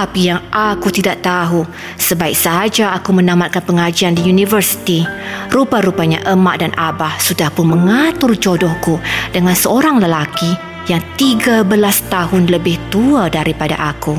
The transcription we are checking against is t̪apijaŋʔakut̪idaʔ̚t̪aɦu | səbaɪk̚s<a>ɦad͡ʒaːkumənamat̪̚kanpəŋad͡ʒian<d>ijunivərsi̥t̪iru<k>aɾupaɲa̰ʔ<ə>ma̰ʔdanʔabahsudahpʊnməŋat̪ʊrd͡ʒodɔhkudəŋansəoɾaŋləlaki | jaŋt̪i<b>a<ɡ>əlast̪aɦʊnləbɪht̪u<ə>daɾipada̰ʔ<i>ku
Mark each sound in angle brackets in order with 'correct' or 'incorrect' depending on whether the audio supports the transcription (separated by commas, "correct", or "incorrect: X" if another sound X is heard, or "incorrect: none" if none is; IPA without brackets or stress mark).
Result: correct, correct, incorrect: p, correct, incorrect: ɡ, incorrect: b, incorrect: a, incorrect: a